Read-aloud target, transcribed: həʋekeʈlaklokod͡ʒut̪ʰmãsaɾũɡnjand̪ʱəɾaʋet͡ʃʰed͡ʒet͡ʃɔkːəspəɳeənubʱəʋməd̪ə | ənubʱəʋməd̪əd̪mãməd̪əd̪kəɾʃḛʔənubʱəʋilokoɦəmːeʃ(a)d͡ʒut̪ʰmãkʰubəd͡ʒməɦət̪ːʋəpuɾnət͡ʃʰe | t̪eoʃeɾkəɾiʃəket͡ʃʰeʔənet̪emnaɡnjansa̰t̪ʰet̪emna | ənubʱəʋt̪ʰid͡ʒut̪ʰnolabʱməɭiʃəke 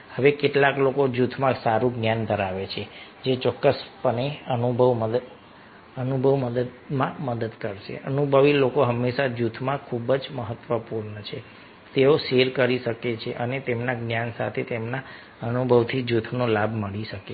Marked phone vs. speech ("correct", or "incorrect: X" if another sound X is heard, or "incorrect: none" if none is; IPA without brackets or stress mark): correct